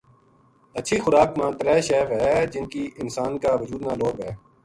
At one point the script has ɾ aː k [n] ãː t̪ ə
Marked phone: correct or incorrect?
incorrect: m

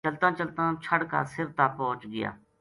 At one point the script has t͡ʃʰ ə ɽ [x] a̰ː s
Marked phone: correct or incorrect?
incorrect: k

